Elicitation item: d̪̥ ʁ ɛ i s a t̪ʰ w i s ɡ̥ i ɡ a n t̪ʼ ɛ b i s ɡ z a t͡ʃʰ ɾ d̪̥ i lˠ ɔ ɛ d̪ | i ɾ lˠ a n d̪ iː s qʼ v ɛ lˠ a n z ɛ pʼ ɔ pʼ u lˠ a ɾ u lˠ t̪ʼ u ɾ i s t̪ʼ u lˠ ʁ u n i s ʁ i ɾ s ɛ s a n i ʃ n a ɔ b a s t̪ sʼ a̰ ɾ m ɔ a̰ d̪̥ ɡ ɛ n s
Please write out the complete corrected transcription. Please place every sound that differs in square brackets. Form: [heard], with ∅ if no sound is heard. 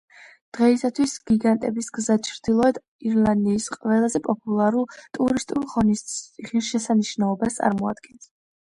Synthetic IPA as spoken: d̪̥ ʁ ɛ i s a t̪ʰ w i s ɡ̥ i ɡ a n t̪ʼ ɛ b i s ɡ z a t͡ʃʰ ɾ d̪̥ i lˠ ɔ ɛ d̪ | i ɾ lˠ a n d̪ iː s qʼ v ɛ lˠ a [∅] z ɛ pʼ ɔ pʼ u lˠ a ɾ u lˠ t̪ʼ u ɾ i s t̪ʼ u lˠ ʁ [ɔ] n i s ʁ i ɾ [ʃ] ɛ s a n i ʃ n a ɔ b a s t̪ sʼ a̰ ɾ m ɔ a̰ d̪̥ ɡ ɛ n s